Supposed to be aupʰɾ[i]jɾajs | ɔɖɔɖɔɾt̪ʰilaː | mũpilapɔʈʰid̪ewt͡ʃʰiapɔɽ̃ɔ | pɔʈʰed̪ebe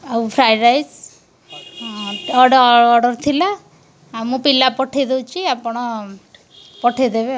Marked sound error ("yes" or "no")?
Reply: yes